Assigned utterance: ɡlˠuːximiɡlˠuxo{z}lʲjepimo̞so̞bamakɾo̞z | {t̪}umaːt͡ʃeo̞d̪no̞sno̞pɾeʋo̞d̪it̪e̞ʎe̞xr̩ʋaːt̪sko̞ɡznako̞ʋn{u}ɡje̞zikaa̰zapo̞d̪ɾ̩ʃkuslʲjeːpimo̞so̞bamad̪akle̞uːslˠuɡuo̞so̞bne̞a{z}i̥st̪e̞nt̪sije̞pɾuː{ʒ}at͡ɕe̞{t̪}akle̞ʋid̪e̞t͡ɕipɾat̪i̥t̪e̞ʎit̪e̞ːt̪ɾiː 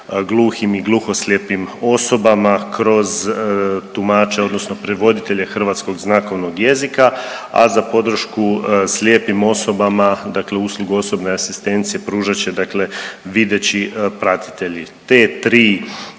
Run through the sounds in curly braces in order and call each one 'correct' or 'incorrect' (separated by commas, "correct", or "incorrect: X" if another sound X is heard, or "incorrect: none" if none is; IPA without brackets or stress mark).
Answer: incorrect: s, correct, incorrect: o, incorrect: s, correct, incorrect: d̪